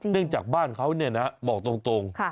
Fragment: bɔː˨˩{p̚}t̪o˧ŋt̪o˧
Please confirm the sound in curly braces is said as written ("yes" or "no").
no